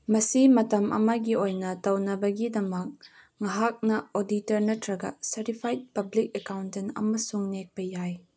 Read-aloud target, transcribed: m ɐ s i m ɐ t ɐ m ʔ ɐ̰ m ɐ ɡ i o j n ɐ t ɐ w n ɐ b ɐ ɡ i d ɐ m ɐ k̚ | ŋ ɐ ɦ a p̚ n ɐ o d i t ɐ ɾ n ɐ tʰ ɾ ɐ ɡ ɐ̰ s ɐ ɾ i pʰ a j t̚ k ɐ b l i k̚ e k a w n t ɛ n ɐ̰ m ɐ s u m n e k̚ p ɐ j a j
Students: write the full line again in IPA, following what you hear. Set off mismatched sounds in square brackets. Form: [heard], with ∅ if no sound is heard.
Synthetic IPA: m ɐ s i m ɐ t ɐ m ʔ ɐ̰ m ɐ ɡ i o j n ɐ t ɐ w n ɐ b ɐ ɡ i d ɐ m ɐ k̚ | ŋ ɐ ɦ a [k̚] n ɐ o d i t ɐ ɾ n ɐ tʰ ɾ ɐ ɡ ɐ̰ s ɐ ɾ i pʰ a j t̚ [p] ɐ b l i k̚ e k a w n t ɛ n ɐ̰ m ɐ s u [ŋ] n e k̚ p ɐ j a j